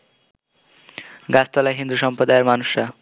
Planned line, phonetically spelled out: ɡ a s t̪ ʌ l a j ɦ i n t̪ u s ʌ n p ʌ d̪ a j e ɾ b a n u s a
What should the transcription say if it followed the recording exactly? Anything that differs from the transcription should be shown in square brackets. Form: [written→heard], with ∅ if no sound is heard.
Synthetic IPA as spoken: ɡ a s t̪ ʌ l a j ɦ i n [t̪→d̪] u s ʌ [n→m] p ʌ d̪ a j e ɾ [b→m] a n u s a